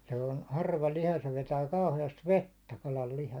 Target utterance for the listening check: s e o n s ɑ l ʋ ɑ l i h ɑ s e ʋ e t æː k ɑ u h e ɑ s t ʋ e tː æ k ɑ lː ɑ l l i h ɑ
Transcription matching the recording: s e o n h ɑ r ʋ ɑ l i h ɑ s e ʋ e t æː k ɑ u h e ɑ s t ʋ e tː æ k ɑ l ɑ l l i h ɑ